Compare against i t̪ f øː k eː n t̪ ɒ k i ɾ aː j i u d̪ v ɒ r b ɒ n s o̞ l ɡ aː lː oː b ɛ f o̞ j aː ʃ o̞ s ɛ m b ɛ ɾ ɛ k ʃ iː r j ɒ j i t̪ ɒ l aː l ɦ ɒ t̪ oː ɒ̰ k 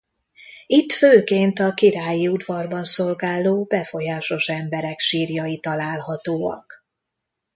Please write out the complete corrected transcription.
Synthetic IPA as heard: i t̪ f øː k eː n t̪ ɒ k i ɾ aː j i u d̪ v ɒ r b ɒ n s o̞ l ɡ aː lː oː b ɛ f o̞ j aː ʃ o̞ ʃ ɛ m b ɛ ɾ ɛ k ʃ iː r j ɒ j i t̪ ɒ l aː l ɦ ɒ t̪ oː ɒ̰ k